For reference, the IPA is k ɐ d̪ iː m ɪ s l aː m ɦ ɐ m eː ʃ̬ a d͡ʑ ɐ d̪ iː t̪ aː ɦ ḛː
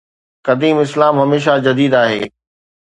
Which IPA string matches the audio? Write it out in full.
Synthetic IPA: k ɐ d̪ iː m ɪ s l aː m ɦ ɐ m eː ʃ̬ a d͡ʑ ɐ d̪ iː d̪ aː ɦ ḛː

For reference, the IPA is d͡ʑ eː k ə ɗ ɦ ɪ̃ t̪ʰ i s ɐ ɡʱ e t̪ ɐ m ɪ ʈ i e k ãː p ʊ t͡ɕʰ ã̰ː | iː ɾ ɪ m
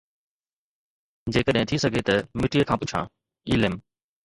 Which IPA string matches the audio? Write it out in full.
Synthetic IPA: d͡ʑ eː k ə ɗ ɦ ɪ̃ t̪ʰ i s ɐ ɡʱ e t̪ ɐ m ɪ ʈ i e kʰ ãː p ʊ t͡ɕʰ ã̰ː | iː l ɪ m

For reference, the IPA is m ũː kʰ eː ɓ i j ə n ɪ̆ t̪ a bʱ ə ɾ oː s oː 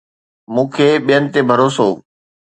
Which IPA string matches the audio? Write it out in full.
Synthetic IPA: m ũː kʰ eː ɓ i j ə n ɪ̆ t̪ e bʱ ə ɾ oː s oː

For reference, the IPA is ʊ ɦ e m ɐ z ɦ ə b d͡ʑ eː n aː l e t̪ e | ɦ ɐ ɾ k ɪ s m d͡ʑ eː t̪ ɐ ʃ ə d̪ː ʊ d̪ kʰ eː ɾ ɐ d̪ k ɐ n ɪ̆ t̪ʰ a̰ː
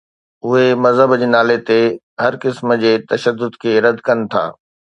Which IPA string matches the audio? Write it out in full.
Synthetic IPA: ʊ ɦ e m ɐ z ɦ ə b d͡ʑ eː n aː l e t̪ e | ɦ ɐ ɾ k ɪ s m d͡ʑ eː t̪ ɐ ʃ ə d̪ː ʊ d̪ kʰ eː ɾ ɐ d̪ k ɐ n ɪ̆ t̪ʰ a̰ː

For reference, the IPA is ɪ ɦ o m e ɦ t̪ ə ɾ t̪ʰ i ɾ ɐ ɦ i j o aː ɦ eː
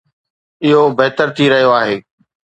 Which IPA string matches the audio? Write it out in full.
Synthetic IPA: ɪ ɦ o b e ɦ t̪ ə ɾ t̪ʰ i ɾ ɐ ɦ i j o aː ɦ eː

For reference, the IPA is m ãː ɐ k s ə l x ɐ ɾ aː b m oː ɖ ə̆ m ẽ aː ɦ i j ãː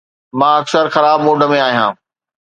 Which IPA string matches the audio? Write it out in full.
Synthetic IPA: m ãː ɐ k s ə ɾ x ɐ ɾ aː b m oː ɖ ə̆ m ẽ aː ɦ i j ãː

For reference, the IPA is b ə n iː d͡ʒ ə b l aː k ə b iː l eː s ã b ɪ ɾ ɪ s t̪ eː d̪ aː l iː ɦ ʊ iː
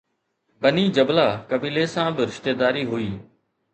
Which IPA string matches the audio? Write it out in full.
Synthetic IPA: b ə n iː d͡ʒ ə b l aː k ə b iː l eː s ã b ɪ ɾ ɪ ʃ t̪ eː d̪ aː ɾ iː ɦ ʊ iː

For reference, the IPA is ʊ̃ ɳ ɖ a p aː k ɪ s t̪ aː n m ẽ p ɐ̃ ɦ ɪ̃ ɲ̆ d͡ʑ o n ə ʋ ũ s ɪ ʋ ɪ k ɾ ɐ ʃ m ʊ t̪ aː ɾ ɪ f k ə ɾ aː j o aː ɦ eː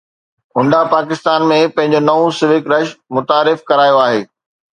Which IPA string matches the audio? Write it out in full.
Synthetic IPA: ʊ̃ ɳ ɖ a p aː k ɪ s t̪ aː n m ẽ p ɐ̃ ɦ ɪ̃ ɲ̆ d͡ʑ o n ɐ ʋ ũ s ɪ ʋ ɪ k ɾ ɐ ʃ m ʊ t̪ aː ɾ ɪ f k ɐ ɾ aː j o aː ɦ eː

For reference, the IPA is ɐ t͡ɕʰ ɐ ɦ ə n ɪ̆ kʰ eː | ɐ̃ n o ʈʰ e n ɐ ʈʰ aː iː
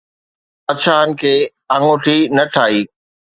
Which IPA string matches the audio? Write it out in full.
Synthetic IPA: ɐ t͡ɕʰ a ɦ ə n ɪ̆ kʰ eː | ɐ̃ ŋ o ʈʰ i n ɐ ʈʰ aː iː

